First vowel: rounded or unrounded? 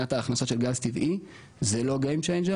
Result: unrounded